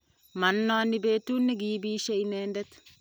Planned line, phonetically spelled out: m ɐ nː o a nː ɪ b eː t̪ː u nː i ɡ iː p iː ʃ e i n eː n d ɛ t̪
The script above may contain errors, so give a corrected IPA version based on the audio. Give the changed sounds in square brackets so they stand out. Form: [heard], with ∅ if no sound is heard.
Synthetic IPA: m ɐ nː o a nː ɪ b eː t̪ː u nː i ɡ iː [b] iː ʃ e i n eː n d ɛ t̪